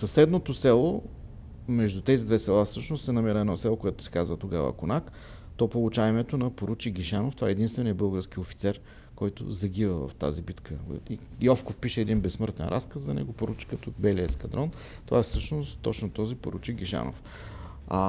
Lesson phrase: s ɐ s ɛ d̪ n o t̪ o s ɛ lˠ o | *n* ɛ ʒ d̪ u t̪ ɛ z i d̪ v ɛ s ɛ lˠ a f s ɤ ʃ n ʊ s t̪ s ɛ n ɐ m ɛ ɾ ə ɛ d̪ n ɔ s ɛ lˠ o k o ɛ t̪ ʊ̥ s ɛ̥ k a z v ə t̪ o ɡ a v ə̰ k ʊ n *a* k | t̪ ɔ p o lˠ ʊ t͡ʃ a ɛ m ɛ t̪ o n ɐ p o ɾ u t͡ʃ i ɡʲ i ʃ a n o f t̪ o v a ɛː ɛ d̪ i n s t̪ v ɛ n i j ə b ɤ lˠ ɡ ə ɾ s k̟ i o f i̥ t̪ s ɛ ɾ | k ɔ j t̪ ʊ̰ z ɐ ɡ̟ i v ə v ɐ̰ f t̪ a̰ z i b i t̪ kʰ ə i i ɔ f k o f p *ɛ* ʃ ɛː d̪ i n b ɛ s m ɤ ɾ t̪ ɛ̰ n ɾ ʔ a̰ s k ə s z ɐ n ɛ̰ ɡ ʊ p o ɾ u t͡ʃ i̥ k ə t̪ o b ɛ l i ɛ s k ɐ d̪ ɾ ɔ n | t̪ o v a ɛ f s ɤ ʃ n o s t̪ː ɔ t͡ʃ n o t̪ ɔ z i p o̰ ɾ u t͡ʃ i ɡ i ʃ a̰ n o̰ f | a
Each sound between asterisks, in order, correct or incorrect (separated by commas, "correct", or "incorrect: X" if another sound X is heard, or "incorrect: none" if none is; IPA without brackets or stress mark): incorrect: m, correct, incorrect: i